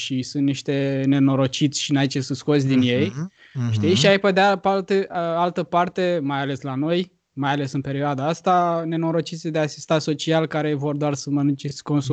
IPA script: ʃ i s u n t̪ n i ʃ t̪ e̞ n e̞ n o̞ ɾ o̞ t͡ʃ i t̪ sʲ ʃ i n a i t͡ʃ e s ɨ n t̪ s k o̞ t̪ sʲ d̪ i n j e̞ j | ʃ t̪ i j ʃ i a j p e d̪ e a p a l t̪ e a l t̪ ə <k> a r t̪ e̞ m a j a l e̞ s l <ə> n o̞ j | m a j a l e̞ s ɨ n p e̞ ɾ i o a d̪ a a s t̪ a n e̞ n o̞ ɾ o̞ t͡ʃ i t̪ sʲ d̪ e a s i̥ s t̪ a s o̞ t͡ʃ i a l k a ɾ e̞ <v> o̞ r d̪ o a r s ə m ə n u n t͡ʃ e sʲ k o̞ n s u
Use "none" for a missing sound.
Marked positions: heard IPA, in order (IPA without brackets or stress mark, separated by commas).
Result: p, a, v